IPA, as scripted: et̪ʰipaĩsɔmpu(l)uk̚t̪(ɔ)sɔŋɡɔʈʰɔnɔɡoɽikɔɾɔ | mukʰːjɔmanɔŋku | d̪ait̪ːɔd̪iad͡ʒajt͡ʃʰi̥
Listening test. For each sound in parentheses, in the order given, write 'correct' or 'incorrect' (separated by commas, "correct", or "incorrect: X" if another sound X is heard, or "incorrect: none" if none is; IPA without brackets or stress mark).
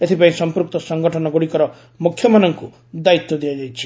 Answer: incorrect: ɾ, correct